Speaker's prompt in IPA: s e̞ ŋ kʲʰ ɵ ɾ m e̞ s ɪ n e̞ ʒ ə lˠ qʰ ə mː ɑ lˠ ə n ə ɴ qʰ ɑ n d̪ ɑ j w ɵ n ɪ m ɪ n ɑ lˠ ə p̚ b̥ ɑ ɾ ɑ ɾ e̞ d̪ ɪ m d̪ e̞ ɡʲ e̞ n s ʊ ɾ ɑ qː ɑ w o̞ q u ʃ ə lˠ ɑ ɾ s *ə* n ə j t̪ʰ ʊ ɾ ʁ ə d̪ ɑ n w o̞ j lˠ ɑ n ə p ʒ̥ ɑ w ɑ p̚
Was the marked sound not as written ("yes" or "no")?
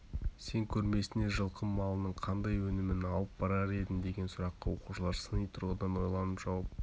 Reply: no